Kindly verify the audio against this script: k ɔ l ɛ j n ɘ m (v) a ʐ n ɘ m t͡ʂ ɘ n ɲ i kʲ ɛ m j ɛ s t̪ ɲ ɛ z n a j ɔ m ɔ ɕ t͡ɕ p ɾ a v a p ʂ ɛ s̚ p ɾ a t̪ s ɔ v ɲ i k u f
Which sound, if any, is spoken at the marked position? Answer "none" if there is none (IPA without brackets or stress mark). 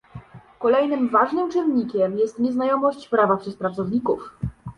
v